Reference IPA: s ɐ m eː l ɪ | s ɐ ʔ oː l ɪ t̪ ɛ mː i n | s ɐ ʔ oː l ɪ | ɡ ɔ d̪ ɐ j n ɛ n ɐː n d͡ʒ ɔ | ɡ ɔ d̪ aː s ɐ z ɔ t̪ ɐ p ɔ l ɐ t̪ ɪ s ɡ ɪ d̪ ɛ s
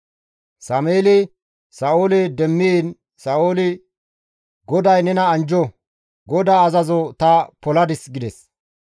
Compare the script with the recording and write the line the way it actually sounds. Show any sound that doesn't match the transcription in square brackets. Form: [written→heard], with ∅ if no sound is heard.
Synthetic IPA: s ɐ m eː l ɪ | s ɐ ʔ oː l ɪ [t̪→d̪] ɛ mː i n | s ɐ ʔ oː l ɪ | ɡ ɔ d̪ ɐ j n ɛ n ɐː n d͡ʒ ɔ | ɡ ɔ d̪ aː [s→z] ɐ z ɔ t̪ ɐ p ɔ l ɐ [t̪→d̪] ɪ s ɡ ɪ d̪ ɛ s